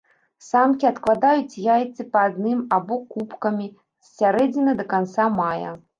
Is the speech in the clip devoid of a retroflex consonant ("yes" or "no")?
yes